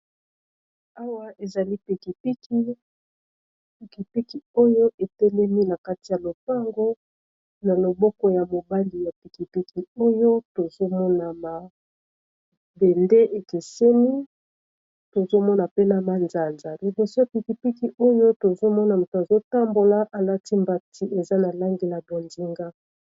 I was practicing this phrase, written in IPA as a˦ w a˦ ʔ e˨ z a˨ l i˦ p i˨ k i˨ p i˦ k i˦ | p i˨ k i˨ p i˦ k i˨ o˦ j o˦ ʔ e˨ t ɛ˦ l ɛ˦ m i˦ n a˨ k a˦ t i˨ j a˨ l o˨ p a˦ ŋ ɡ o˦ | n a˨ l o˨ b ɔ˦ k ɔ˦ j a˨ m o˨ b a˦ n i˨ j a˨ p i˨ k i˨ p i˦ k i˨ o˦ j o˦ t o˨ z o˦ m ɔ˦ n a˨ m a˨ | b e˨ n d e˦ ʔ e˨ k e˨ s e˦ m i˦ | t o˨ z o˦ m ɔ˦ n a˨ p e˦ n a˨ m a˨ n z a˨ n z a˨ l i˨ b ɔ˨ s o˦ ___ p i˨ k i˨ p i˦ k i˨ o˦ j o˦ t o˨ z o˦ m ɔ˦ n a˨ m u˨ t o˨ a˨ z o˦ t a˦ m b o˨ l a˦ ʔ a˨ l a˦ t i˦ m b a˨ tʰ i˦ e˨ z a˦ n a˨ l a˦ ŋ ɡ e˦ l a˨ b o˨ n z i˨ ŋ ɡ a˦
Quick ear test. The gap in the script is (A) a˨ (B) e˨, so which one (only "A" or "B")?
A